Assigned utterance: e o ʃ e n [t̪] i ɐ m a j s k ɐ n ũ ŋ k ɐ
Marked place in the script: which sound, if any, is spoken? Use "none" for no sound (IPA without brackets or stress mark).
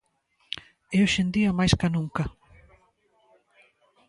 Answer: d̪